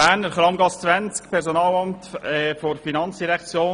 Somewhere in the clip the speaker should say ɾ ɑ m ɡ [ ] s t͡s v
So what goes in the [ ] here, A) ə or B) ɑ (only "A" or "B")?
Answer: B